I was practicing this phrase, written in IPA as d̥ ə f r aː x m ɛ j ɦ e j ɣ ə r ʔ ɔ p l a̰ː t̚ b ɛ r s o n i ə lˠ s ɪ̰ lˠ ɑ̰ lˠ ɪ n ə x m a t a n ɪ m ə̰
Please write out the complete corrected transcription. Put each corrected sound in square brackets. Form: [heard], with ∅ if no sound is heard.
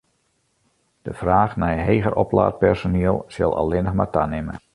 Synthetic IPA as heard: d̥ ə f r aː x [n] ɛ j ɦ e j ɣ ə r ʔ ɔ p l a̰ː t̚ [p] ɛ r s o n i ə lˠ s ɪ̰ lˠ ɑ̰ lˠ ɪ n ə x m a t a n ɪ m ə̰